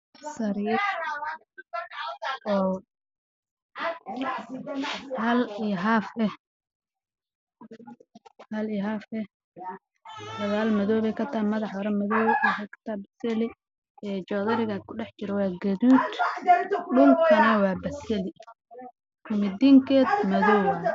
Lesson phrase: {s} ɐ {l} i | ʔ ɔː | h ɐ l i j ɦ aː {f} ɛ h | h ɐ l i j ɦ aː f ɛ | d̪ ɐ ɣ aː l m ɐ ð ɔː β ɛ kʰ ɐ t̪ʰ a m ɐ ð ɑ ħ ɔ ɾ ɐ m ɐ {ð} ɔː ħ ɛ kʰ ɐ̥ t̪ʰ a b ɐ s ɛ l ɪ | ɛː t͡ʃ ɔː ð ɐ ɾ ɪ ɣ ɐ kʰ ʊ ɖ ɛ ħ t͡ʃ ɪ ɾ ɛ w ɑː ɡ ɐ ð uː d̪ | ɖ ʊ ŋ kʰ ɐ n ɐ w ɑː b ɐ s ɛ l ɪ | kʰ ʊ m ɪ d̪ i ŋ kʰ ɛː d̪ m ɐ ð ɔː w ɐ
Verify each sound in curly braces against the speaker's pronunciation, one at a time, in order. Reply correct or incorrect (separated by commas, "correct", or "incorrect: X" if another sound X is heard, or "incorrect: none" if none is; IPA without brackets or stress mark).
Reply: correct, incorrect: ɾ, correct, correct